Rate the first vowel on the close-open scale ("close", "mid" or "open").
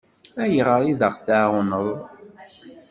open